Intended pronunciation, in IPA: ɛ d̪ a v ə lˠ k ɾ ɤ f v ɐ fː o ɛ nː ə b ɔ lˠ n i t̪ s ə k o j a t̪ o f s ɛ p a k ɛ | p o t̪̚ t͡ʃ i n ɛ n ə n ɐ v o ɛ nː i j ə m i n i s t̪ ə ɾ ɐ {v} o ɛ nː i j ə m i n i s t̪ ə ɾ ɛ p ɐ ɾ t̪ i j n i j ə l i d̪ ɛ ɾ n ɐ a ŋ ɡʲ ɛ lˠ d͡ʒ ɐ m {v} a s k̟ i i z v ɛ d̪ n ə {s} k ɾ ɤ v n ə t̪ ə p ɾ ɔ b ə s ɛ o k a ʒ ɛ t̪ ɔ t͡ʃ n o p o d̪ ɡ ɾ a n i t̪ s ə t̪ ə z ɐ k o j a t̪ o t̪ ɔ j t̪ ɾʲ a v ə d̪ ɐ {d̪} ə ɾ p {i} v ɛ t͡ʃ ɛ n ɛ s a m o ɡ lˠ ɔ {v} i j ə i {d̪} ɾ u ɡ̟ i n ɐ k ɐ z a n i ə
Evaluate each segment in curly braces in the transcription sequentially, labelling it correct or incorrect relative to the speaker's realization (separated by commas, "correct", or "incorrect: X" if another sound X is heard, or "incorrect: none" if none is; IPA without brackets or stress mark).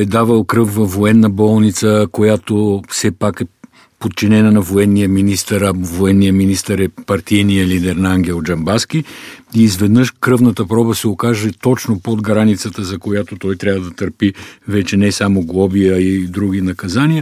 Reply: correct, incorrect: b, incorrect: ʃ, incorrect: t̪, correct, incorrect: b, correct